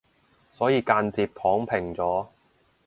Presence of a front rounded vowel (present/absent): absent